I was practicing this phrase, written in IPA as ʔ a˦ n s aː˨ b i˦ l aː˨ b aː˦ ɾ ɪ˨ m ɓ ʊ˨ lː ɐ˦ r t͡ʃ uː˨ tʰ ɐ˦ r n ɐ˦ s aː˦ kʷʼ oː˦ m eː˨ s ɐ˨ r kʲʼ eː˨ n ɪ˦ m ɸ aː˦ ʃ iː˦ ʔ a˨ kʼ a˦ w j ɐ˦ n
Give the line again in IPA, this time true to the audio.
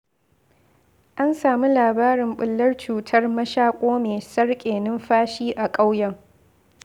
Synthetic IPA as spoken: ʔ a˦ n s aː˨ m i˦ l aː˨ b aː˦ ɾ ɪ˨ m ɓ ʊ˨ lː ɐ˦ r t͡ʃ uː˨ tʰ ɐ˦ r m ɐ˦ ʃ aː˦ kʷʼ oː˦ m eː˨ s ɐ˦ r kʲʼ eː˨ n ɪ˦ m ɸ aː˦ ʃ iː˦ ʔ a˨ kʼ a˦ w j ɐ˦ ŋ